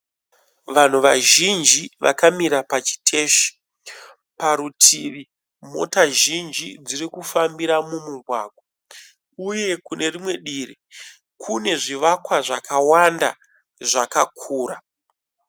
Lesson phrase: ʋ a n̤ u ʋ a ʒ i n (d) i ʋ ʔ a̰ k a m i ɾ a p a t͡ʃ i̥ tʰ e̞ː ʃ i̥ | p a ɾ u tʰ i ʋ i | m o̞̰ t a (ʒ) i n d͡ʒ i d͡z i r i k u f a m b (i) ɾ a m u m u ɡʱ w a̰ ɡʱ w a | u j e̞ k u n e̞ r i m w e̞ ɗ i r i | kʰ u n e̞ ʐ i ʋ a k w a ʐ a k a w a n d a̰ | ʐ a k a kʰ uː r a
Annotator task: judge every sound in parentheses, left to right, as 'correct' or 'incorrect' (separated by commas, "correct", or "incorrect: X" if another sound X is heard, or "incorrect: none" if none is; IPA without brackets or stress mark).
incorrect: d͡ʒ, correct, correct